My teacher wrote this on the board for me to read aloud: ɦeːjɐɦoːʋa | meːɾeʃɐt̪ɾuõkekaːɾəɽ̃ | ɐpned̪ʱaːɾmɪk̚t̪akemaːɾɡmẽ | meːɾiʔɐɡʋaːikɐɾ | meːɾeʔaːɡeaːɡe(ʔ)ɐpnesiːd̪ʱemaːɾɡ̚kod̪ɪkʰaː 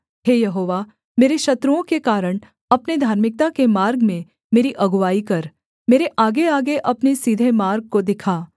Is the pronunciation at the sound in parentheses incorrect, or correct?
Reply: correct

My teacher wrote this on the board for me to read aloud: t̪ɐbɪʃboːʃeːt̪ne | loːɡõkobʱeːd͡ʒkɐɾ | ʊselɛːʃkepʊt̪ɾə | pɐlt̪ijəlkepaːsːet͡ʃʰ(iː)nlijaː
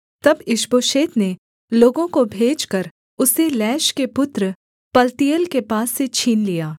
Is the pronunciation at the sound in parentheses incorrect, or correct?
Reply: correct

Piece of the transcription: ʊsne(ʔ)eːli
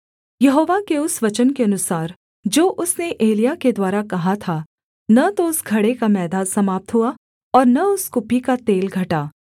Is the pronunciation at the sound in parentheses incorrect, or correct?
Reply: correct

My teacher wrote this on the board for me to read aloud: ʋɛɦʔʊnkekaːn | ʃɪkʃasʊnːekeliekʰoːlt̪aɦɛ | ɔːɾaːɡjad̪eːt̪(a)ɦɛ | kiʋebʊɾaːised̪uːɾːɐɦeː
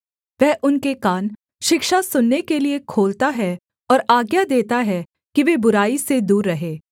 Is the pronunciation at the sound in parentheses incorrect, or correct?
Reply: correct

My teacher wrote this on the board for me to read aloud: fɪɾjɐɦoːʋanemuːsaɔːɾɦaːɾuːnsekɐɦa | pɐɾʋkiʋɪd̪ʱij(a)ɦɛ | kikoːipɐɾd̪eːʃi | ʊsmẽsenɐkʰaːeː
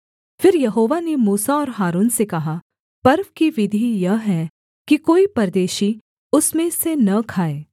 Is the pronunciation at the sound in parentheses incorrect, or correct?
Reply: incorrect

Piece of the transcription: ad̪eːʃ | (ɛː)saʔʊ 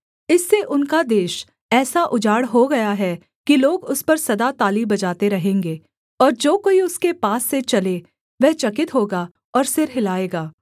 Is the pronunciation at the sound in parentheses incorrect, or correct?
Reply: correct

